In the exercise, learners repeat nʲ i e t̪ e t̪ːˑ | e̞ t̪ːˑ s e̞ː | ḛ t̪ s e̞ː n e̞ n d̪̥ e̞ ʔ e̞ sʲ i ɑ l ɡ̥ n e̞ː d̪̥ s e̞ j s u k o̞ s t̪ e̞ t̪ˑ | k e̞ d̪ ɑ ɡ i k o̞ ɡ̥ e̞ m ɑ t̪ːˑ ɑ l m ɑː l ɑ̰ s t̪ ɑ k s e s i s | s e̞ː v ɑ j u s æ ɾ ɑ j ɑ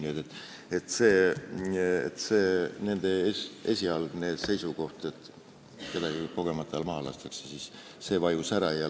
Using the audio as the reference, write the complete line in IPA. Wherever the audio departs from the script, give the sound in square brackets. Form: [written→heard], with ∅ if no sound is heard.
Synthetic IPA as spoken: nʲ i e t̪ e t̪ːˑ | e̞ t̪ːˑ s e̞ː | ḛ t̪ s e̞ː n e̞ n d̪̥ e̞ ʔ e̞ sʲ i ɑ l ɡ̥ n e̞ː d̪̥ s e̞ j s u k o̞ [s→h] t̪ e̞ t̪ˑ | k e̞ d̪ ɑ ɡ i k o̞ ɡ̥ e̞ m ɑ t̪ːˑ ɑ l m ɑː l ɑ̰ s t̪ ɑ k s e s i s | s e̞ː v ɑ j u s æ ɾ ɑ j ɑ